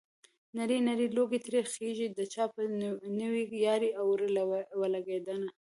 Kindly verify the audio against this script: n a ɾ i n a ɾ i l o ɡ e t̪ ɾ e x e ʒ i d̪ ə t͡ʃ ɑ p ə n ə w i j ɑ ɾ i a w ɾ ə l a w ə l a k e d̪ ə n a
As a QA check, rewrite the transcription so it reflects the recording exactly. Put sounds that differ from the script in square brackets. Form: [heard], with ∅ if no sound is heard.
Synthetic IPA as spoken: n a ɾ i n a ɾ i l o ɡ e t̪ ɾ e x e ʒ i d̪ ə t͡ʃ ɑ p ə n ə w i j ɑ ɾ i a w ɾ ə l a w ə l a [ɡ] e d̪ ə n a